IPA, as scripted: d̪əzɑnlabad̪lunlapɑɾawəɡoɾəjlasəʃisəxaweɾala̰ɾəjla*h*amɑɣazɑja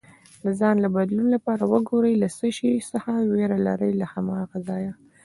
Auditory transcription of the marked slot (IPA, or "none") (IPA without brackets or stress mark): h